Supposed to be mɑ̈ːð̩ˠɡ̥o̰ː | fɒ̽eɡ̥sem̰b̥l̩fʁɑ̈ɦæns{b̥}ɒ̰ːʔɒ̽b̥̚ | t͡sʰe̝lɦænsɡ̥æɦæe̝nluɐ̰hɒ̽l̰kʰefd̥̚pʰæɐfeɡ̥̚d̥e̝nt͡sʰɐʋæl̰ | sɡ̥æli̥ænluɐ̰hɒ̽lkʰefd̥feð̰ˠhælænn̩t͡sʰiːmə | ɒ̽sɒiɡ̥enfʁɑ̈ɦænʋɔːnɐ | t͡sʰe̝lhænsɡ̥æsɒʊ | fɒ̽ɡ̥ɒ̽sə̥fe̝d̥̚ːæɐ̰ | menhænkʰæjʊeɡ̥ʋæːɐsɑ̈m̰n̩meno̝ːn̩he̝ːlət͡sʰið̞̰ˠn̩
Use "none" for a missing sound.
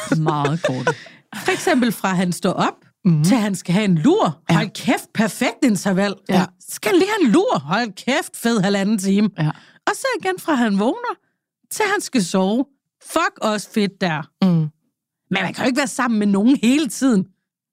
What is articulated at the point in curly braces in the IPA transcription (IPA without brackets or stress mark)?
d̥